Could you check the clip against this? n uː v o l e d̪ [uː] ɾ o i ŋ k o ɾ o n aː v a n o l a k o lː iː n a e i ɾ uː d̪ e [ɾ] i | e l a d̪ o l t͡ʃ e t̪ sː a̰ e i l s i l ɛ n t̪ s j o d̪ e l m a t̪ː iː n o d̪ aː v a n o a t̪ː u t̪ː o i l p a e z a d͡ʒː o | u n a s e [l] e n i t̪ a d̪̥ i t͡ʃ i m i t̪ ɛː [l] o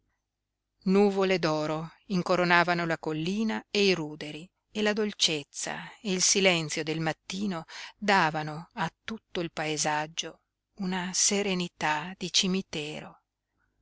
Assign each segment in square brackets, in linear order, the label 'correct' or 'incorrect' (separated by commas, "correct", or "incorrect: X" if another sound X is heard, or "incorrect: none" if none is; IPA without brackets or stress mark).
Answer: incorrect: ɔː, correct, incorrect: ɾ, incorrect: ɾ